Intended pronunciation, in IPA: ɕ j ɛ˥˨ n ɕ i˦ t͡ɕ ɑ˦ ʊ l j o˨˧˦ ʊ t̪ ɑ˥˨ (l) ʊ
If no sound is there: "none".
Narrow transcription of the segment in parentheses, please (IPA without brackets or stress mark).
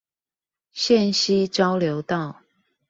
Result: none